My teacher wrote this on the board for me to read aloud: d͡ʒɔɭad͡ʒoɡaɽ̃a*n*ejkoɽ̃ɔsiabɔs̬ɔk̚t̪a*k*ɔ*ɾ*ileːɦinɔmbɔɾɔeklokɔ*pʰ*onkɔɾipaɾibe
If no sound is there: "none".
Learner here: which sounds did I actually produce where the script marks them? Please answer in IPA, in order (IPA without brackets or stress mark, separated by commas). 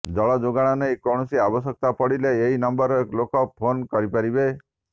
n, p, ɽ, pʰ